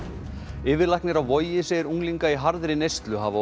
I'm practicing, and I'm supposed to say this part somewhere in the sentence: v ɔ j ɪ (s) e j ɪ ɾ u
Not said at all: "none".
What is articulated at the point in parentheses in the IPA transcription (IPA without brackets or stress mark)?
s